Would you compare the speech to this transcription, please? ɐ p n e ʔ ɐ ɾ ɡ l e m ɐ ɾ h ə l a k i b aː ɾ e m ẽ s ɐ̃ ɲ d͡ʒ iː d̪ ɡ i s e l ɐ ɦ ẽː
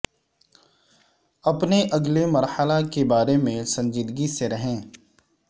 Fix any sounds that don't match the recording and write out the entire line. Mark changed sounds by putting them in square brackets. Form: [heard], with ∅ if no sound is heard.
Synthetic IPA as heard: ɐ p n e ʔ ɐ [∅] ɡ l e m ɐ ɾ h ə l a k [e] b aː ɾ e m ẽ s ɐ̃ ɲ d͡ʒ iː d̪ ɡ i s e [ɾ] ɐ ɦ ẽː